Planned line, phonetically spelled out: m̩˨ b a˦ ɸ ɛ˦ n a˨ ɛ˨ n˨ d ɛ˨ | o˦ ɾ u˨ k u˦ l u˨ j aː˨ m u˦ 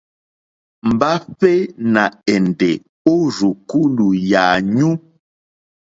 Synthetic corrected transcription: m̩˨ b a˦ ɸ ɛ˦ n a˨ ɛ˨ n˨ d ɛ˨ | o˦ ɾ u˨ k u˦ l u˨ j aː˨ ɲ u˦